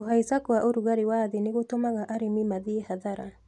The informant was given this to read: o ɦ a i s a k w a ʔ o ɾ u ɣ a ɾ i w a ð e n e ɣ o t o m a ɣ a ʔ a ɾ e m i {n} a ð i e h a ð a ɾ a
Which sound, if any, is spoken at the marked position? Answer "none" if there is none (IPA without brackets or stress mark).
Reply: m